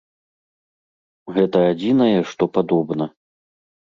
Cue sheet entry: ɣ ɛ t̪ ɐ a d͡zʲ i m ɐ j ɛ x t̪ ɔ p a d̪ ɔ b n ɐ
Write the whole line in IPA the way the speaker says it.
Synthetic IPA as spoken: ɣ ɛ t̪ ɐ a d͡zʲ i n ɐ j ɛ ʂ t̪ ɔ p a d̪ ɔ b n ɐ